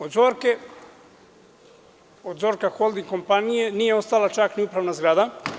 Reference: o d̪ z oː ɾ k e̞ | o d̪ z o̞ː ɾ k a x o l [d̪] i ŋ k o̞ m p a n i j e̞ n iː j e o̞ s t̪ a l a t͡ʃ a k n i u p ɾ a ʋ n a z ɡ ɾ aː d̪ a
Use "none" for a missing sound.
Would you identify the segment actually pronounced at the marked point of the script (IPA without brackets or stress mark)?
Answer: d̪